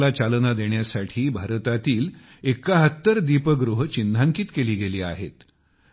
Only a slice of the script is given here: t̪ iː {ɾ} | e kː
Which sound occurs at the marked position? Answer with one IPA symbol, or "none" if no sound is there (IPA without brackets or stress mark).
l